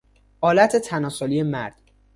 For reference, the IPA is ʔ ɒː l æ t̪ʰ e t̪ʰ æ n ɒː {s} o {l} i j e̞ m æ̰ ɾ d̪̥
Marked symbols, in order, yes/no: yes, yes

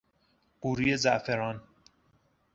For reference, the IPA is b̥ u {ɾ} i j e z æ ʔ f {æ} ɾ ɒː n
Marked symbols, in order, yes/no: yes, no

